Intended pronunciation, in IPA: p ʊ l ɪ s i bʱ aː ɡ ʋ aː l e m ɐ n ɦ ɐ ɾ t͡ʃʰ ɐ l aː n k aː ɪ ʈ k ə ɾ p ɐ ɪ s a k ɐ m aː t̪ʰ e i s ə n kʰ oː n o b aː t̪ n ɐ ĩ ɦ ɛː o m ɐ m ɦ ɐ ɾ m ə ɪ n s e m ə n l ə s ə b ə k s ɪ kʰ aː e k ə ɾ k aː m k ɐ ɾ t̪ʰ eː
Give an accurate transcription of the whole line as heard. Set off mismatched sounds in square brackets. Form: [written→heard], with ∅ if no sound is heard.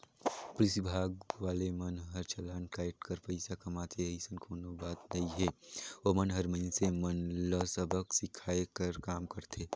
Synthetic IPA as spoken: p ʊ l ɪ s i bʱ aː ɡ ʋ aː l e m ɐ n ɦ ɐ ɾ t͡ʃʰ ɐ l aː n k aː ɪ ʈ k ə ɾ p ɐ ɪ s a k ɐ m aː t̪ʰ e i s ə n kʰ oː n o b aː t̪ n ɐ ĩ ɦ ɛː o m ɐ [m→n] ɦ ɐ ɾ m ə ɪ n s e m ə n l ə s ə b ə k s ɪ kʰ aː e k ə ɾ k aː m k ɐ ɾ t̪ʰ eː